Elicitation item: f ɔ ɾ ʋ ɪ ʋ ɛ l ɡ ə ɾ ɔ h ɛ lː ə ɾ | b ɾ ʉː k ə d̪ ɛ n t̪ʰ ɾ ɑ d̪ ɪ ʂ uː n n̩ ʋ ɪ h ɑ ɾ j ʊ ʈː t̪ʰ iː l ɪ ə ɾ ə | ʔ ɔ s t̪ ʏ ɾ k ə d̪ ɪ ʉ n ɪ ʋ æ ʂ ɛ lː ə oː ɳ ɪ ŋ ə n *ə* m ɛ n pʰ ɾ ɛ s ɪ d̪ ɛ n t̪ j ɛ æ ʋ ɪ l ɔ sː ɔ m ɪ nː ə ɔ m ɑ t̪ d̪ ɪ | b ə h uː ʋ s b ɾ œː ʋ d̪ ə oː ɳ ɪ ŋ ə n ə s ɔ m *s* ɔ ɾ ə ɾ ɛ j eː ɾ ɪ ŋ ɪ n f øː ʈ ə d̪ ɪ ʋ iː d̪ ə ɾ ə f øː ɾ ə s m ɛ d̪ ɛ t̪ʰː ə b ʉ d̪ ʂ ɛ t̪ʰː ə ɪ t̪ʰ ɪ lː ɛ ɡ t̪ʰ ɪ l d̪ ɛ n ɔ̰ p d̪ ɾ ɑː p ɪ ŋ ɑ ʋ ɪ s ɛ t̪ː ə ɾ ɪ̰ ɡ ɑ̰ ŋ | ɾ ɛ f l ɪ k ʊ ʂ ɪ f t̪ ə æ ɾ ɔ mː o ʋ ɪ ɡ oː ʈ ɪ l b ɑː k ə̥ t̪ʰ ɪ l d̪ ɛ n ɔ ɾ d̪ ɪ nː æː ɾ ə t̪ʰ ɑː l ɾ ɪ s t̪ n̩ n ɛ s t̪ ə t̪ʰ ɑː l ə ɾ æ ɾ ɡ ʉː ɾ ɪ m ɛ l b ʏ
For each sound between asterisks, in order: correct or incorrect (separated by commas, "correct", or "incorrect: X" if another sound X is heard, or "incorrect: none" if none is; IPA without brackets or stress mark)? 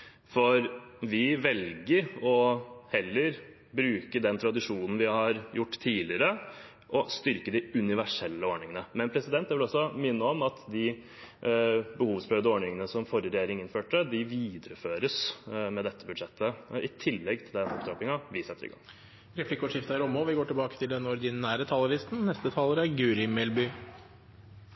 correct, incorrect: f